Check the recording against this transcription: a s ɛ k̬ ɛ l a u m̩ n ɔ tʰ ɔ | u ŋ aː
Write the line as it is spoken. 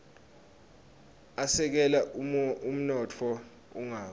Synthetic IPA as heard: a s ɛ k̬ ɛ l a u m̩ n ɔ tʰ ɔ | u ŋ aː